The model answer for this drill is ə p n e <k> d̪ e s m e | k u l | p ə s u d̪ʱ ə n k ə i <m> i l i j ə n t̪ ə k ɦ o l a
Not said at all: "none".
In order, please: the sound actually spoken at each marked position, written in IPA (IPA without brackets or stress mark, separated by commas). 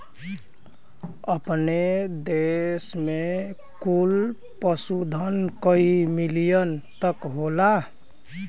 none, m